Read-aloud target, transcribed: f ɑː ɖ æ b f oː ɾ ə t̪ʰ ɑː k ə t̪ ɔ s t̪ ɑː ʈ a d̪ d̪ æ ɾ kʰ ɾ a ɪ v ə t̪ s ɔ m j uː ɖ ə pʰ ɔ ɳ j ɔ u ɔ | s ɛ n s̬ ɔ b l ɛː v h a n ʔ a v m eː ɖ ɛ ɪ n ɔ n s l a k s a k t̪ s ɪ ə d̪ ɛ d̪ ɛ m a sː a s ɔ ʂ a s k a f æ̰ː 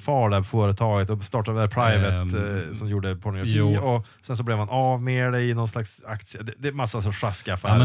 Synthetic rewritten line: f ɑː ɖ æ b f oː ɾ ə t̪ʰ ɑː ɡ ə t̪ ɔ s t̪ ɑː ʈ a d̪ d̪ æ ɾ pʰ ɾ a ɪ v ə t̪ s ɔ m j uː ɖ ə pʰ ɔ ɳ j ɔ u ɔ | s ɛ n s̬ ɔ b l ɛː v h a n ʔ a v m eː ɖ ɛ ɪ n ɔ n s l a k s a k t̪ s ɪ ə d̪ ɛ d̪ ɛ m a sː a s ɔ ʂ a s k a f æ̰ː